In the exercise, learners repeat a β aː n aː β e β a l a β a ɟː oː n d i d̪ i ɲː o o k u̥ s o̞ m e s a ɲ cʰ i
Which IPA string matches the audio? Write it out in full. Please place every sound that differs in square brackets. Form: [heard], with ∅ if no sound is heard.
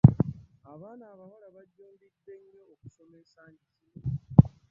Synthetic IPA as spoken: a β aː n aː β [a] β a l a β a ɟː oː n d i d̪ [e] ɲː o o k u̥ s o̞ m e s a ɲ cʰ i